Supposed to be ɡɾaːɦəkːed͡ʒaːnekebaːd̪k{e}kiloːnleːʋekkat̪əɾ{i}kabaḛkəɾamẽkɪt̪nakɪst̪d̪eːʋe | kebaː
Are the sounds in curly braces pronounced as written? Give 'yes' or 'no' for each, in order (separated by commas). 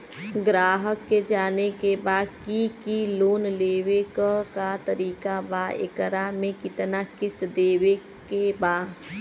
no, no